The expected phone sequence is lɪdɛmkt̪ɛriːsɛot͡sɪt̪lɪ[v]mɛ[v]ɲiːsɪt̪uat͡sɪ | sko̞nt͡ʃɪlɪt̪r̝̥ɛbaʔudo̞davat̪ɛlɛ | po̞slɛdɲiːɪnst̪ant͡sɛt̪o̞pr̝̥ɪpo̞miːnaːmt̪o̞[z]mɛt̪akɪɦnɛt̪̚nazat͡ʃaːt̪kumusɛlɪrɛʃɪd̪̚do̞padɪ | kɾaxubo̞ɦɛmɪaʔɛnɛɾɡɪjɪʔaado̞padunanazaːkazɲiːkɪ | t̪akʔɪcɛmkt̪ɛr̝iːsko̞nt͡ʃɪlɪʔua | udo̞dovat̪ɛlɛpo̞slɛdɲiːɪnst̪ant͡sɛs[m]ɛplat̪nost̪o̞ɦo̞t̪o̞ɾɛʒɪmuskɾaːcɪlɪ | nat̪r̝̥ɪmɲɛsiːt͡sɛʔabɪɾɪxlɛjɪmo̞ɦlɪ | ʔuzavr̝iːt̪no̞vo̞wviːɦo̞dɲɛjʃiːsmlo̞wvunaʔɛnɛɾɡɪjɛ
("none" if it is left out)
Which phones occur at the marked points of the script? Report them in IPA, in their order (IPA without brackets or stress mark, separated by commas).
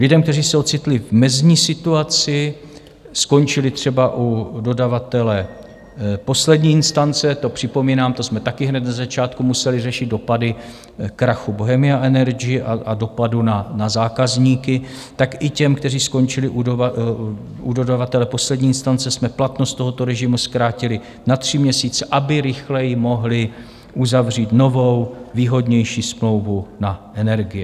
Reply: v, z, s, m